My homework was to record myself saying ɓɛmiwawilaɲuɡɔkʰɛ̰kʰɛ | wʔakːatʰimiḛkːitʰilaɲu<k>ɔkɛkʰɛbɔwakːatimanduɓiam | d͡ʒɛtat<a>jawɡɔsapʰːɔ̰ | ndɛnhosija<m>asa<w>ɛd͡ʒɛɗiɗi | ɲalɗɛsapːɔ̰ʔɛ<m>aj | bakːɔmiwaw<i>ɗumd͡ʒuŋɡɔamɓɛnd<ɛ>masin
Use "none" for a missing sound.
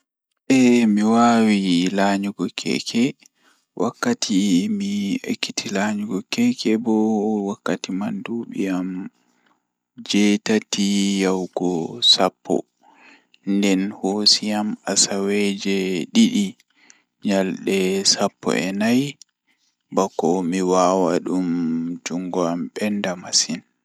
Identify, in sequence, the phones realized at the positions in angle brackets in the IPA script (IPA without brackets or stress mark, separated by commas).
ɡ, i, m, w, n, a, a